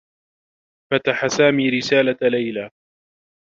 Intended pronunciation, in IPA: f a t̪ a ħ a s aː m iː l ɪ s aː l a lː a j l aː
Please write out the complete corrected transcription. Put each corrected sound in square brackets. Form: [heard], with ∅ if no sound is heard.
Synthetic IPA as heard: f a t̪ a ħ a s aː m iː [ɾ] ɪ s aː l a [l] a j l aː